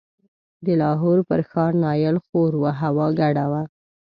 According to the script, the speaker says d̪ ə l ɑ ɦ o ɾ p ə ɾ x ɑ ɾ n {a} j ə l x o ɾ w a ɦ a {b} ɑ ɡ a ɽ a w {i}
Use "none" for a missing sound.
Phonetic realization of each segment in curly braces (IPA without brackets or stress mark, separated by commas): ɑ, w, a